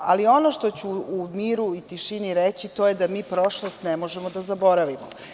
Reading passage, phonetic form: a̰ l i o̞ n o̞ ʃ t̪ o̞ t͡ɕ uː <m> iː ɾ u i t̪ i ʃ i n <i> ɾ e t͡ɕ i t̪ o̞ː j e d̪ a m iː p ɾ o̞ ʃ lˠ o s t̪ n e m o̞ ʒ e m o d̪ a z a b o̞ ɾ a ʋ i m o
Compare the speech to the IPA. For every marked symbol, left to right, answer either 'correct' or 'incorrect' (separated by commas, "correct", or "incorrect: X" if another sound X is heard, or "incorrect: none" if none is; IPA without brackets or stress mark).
correct, correct